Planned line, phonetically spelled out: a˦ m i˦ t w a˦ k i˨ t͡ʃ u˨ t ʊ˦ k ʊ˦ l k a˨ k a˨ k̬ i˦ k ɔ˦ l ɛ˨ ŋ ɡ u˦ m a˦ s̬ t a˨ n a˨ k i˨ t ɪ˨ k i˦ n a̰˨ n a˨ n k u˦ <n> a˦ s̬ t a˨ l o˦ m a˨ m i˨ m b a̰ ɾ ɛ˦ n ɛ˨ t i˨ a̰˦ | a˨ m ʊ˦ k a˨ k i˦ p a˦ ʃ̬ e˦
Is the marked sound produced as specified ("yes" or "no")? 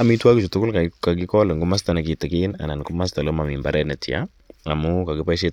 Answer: no